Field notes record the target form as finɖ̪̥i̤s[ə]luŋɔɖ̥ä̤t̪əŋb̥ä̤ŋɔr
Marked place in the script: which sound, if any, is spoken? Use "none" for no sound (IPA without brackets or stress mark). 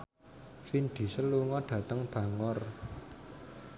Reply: ə